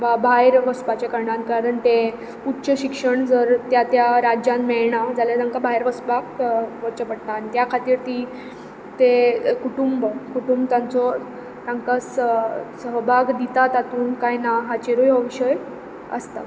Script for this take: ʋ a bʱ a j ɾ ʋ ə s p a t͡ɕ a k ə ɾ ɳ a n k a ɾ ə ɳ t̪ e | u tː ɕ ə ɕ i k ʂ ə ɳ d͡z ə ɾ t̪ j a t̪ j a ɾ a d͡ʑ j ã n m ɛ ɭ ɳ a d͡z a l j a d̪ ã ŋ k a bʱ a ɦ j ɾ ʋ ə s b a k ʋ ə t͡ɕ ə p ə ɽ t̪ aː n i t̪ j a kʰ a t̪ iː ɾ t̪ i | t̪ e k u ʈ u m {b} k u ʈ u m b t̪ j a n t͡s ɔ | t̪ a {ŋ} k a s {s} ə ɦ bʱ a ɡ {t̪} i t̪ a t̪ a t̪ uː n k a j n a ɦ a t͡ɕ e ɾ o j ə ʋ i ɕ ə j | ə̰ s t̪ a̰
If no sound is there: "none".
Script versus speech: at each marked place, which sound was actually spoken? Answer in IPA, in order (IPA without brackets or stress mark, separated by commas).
b, ŋ, s, d̪